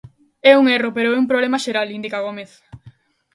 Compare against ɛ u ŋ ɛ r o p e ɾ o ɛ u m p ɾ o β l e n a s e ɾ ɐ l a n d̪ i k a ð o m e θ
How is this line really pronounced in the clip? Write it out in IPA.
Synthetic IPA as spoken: ɛ u ŋ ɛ r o p e ɾ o ɛ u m p ɾ o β l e m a ʃ e ɾ a l i n d̪ i k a ɣ o m e θ